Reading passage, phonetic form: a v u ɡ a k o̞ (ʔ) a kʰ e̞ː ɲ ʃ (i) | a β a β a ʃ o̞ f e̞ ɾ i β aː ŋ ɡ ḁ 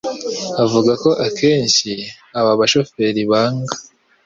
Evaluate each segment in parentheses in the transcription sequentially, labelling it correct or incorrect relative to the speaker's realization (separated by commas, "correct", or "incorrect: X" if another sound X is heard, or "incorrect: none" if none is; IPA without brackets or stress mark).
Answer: correct, correct